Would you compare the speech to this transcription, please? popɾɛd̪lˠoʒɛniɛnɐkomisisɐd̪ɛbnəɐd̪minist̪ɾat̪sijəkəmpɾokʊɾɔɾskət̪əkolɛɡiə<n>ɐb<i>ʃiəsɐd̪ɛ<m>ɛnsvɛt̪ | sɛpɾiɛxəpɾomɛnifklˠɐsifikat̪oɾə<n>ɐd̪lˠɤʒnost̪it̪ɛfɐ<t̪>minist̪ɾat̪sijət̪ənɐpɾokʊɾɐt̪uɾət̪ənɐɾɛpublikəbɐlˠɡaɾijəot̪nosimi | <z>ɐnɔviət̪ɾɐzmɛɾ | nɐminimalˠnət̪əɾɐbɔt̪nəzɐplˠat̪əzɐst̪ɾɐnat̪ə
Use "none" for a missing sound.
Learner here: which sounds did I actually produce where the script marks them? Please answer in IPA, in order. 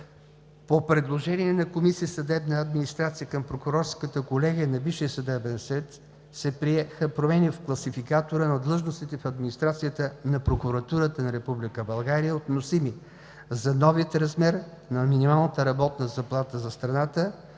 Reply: n, i, b, n, d̪, z

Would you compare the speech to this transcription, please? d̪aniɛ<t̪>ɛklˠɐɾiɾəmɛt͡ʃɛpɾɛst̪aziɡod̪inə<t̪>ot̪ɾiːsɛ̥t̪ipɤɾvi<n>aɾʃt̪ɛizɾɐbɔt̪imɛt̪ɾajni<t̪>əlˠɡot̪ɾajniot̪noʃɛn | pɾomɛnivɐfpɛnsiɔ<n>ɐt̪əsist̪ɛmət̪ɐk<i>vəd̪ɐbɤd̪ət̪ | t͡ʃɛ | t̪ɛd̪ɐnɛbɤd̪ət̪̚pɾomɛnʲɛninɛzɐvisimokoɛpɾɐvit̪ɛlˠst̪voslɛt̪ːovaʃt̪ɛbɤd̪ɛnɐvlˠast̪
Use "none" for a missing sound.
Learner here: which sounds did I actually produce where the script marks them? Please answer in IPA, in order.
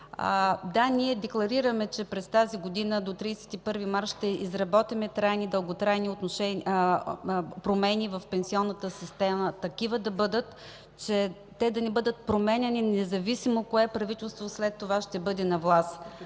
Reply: d̪, d̪, m, d̪, nː, i

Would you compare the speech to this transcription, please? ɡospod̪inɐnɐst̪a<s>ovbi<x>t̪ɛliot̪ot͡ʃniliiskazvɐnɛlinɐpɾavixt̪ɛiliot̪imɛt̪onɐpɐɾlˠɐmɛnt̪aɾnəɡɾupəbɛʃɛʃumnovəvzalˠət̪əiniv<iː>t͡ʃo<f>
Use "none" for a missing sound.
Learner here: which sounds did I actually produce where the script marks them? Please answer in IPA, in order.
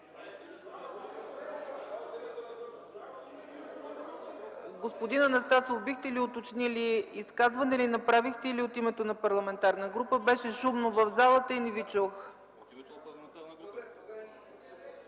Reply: s, x, i, x

